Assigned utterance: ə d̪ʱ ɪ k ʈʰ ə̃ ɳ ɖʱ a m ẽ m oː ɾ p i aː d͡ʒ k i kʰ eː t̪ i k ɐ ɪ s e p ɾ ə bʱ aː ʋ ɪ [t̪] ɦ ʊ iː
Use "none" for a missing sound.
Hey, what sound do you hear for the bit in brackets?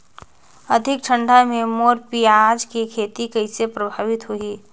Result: t̪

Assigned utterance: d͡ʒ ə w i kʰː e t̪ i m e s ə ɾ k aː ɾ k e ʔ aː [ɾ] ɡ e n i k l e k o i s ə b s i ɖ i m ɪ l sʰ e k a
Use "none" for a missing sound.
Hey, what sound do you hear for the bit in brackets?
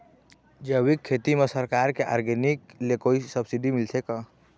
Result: ɾ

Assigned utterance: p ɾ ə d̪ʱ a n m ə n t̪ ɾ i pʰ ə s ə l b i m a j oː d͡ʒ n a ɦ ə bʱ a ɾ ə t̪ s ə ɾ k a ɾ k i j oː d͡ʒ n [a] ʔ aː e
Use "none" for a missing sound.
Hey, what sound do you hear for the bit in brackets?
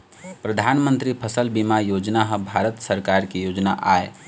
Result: a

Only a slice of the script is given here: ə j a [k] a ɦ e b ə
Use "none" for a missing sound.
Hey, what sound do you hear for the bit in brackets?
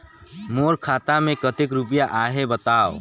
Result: ʔ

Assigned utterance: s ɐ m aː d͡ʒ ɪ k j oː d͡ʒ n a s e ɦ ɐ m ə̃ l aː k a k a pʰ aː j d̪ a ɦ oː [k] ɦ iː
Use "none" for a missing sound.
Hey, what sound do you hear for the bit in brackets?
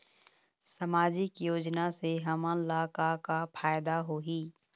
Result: none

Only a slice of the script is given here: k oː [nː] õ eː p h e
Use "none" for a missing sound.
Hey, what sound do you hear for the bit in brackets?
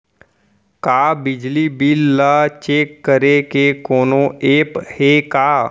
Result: n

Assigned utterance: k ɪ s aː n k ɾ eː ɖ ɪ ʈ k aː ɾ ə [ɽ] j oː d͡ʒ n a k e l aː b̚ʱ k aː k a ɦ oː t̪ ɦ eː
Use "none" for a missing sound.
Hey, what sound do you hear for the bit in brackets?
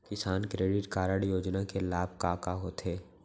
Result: ɽ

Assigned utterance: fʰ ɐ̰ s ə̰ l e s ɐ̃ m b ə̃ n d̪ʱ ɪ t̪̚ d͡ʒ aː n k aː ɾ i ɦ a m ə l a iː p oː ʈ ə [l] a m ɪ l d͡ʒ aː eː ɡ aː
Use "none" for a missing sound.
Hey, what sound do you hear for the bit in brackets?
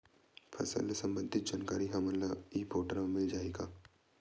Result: ɾ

